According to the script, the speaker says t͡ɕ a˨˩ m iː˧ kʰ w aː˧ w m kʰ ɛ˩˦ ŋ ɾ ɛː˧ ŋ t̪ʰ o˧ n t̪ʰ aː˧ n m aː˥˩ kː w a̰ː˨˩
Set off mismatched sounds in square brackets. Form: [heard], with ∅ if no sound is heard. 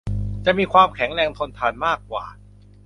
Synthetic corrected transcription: t͡ɕ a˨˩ m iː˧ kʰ w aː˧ [∅] m kʰ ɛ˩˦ ŋ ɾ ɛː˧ ŋ t̪ʰ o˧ n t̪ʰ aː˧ n m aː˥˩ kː w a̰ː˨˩